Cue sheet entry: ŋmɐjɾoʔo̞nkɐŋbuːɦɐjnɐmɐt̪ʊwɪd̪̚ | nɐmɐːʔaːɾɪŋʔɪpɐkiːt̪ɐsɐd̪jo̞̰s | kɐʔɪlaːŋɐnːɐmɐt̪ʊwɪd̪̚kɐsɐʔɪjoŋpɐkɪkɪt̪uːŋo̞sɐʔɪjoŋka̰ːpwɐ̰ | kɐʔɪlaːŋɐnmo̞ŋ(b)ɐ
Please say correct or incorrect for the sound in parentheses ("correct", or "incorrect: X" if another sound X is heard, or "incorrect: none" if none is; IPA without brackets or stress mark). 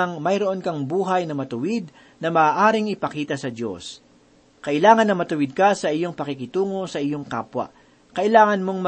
incorrect: m